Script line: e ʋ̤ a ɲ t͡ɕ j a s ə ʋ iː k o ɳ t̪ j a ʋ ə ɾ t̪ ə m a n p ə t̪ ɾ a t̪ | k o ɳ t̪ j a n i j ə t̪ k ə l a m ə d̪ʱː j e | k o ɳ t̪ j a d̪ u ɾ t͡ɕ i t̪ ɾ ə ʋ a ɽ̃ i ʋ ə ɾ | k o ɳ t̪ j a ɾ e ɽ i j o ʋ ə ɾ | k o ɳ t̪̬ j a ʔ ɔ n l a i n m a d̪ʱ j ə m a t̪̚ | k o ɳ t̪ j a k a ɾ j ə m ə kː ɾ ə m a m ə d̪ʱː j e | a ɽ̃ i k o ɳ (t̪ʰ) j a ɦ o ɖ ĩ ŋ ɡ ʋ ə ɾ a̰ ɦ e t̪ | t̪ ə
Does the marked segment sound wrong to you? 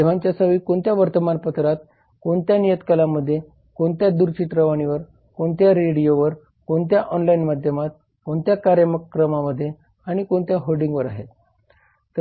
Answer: yes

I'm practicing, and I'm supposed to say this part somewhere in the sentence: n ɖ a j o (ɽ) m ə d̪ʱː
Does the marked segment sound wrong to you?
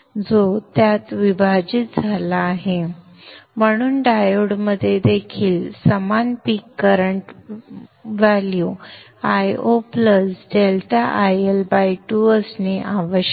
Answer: no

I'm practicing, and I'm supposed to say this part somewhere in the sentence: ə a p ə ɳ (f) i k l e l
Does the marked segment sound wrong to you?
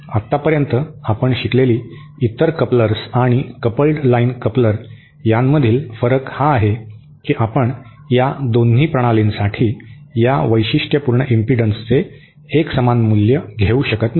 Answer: yes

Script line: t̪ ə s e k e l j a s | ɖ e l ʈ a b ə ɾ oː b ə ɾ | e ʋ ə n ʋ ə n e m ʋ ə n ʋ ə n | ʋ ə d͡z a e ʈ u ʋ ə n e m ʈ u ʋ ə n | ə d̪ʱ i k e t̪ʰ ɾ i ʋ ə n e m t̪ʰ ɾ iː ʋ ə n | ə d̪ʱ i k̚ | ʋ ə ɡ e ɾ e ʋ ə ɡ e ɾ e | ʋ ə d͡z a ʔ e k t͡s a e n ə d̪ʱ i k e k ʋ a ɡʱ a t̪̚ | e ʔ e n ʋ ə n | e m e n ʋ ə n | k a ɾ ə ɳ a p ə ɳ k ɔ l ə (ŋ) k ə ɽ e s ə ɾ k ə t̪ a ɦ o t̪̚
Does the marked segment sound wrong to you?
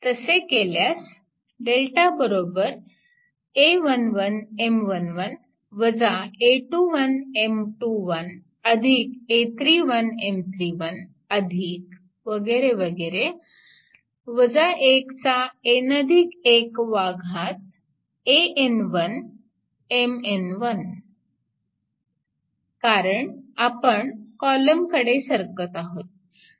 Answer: yes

